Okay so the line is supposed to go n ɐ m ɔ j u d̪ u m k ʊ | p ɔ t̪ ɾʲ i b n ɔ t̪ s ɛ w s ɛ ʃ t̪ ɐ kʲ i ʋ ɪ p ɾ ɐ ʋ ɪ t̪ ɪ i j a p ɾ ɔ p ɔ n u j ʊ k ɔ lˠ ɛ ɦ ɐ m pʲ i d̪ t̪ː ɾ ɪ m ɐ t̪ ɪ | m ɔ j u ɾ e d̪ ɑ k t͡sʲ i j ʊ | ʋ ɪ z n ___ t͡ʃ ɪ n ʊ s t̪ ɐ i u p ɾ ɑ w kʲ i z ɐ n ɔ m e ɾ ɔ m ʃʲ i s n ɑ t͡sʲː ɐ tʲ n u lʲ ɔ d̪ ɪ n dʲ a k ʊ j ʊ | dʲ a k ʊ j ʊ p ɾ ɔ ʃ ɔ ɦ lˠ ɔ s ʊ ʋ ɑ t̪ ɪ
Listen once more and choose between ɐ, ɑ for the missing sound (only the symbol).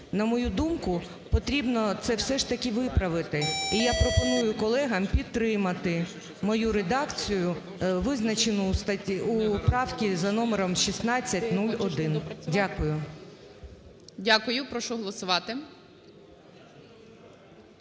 ɐ